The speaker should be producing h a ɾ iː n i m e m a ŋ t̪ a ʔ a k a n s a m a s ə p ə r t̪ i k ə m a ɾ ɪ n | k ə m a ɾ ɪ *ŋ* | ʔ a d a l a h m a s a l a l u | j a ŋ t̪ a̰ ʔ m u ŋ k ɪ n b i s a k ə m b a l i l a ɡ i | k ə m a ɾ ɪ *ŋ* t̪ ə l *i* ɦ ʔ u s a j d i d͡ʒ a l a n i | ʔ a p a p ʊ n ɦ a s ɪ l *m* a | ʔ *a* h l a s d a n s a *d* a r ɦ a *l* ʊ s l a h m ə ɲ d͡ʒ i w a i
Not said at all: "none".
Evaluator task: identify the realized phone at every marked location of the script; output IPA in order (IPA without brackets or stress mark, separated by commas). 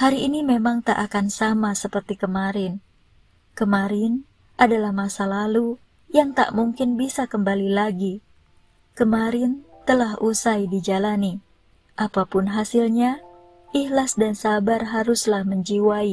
n, n, a, ɲ, i, b, ɾ